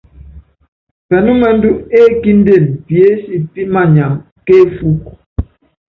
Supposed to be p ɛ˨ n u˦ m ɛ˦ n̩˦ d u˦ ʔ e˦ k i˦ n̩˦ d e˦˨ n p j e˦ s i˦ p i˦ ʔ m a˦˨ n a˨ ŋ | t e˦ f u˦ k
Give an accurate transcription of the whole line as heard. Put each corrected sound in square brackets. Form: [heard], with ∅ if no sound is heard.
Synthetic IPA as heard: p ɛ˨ n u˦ m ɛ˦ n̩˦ d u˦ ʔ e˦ k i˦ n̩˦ d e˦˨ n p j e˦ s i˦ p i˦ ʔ m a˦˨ [ɲ] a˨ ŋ | [k] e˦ f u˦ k

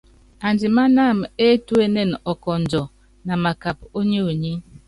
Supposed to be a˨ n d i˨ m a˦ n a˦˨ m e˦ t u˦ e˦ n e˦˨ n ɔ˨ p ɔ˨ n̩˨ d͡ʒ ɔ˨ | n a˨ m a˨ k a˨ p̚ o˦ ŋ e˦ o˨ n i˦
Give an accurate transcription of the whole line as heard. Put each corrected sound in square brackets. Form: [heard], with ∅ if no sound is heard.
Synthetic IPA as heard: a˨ n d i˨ m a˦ n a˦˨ m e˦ t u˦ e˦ n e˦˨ n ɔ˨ [k] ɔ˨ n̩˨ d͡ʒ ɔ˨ | n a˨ m a˨ k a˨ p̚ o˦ [ɲ] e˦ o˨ [ɲ] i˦

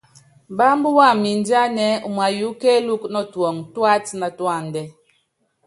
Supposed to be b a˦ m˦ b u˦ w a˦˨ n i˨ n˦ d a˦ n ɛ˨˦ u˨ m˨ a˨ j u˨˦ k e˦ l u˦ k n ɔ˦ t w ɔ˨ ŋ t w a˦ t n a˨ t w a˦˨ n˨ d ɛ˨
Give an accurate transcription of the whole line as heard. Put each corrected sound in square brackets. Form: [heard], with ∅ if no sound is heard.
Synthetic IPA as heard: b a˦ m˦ b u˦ w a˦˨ [m] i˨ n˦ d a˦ n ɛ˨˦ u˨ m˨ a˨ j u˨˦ k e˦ l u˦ k n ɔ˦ t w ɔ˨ ŋ t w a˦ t n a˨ t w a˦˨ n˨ d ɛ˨

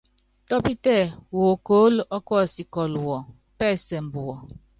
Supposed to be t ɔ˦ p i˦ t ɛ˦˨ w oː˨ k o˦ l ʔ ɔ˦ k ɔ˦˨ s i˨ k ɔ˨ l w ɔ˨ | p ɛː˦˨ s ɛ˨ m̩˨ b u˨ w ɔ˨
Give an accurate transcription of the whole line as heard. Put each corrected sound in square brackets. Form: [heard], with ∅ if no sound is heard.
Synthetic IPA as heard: t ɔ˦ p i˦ t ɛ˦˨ w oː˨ k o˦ l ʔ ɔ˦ k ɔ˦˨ s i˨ k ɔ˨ l w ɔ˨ | p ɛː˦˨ s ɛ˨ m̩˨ b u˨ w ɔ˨

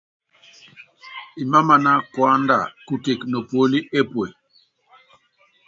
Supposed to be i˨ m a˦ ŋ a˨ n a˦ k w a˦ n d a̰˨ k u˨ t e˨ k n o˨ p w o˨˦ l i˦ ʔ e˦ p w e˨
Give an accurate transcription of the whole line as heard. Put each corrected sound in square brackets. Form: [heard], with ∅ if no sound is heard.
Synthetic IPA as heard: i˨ m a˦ [m] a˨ n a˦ k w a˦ n d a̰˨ k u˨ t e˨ k n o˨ p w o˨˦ l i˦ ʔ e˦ p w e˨

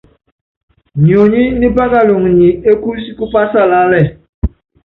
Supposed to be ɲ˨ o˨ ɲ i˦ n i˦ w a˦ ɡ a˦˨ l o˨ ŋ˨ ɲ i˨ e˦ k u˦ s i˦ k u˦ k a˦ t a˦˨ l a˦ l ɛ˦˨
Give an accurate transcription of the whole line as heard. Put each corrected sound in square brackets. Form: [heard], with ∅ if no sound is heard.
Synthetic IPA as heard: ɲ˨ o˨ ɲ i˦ n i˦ [b] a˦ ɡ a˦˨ l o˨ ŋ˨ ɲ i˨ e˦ k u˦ s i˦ k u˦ [p] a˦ [s] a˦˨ l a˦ l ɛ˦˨

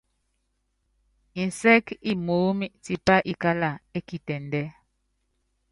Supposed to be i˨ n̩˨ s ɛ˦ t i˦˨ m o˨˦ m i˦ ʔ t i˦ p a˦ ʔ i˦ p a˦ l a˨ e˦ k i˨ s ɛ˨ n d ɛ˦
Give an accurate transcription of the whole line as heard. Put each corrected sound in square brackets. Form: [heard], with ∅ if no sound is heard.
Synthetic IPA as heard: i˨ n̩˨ s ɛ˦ [k] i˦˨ m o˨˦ m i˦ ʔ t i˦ p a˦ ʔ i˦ [k] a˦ l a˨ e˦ k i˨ [t] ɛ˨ n d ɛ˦

